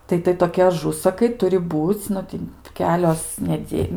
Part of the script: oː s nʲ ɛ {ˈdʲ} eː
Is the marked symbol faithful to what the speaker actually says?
yes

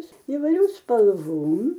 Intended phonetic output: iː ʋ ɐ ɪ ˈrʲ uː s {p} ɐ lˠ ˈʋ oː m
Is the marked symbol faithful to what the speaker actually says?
yes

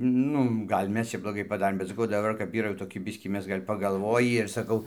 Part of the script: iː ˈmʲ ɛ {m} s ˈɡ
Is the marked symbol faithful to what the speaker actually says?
no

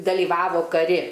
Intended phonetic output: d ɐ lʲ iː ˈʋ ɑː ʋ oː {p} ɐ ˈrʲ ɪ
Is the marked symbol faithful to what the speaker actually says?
no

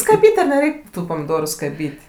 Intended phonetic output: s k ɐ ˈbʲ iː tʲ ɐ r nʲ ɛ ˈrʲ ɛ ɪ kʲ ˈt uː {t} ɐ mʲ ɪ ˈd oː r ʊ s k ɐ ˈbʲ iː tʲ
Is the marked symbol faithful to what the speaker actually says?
no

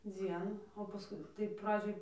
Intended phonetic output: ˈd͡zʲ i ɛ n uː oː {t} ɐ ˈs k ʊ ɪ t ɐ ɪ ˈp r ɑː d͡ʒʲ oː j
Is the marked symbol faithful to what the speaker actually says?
no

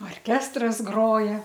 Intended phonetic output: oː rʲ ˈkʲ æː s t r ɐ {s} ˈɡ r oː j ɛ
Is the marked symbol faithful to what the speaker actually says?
yes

